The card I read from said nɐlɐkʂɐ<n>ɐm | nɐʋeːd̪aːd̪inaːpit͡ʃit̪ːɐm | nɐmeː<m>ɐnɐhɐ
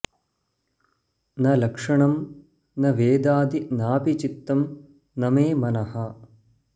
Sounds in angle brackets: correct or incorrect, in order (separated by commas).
incorrect, correct